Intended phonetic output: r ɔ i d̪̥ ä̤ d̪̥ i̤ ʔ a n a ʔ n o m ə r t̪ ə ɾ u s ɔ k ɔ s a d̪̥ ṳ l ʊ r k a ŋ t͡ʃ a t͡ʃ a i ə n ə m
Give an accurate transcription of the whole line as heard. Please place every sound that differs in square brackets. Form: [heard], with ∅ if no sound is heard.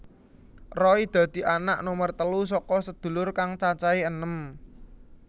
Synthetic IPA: r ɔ i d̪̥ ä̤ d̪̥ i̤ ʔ a n a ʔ n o m ə r t̪ ə [l] u s ɔ k ɔ s [ə] d̪̥ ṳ l ʊ r k a ŋ t͡ʃ a t͡ʃ a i ə n ə m